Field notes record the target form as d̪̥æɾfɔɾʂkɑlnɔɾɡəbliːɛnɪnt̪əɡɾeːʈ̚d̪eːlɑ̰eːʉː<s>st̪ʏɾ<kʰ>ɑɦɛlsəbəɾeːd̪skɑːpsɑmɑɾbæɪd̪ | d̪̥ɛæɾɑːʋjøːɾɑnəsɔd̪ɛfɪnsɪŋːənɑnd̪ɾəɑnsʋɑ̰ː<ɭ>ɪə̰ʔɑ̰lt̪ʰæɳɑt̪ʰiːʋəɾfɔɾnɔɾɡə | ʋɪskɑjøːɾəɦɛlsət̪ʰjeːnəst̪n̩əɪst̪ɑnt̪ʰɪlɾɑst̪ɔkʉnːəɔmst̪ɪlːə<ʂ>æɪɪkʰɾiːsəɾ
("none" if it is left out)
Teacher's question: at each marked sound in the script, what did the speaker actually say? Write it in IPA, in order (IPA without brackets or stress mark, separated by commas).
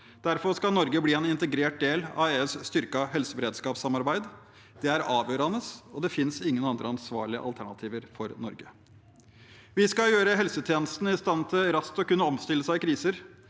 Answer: s, k, ɭ, s